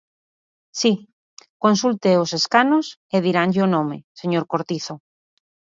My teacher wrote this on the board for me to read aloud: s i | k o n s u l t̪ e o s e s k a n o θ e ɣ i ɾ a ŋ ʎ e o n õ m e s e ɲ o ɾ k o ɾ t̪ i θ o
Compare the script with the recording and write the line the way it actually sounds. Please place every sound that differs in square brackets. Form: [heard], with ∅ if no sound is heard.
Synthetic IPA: s i | k o n s u l t̪ e o s e s k a n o [s] e [ð] i ɾ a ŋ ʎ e o n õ m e s e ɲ o ɾ k o ɾ t̪ i θ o